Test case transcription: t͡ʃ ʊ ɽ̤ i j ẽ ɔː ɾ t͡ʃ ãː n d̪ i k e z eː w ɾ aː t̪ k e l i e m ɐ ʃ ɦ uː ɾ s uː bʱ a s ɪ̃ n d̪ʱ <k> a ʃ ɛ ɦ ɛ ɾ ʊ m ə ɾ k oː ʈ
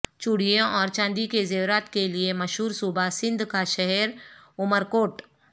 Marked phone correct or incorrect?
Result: correct